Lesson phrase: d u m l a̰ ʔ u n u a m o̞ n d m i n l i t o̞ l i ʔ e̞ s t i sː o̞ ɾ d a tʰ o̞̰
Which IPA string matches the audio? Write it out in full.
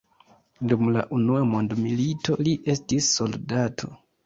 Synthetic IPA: d u m l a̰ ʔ u n u a m o̞ n d m i l i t o̞ l i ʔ e̞ s t i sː o̞ l d a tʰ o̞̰